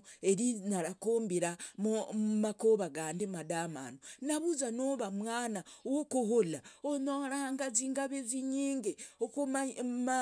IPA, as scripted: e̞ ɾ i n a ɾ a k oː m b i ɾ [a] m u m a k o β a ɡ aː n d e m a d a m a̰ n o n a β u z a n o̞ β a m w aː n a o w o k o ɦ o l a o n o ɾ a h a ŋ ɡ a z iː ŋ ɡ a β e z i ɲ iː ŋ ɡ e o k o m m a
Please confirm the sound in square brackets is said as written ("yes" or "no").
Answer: yes